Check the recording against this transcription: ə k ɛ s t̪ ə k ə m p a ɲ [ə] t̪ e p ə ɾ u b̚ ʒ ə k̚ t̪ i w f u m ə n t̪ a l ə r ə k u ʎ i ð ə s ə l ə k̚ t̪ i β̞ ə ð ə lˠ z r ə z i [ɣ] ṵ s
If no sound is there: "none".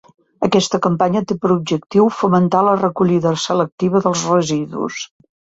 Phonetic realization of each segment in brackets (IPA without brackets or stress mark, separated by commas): ə, ð